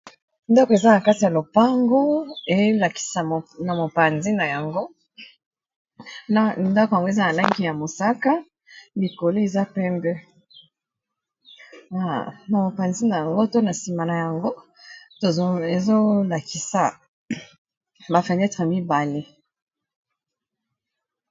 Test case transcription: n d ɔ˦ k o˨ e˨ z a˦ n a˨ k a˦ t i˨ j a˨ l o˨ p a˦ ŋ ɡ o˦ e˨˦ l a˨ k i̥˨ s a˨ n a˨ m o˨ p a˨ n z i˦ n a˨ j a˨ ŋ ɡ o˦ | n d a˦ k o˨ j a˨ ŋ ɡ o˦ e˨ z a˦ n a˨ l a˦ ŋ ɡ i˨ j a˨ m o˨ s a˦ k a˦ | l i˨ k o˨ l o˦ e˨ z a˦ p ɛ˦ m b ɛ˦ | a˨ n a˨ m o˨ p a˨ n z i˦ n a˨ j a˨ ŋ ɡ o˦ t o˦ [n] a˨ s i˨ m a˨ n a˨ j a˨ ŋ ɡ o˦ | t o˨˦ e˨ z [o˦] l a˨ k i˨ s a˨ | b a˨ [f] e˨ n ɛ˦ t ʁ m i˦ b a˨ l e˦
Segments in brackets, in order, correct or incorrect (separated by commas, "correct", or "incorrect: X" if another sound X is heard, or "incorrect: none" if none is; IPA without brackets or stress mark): correct, correct, correct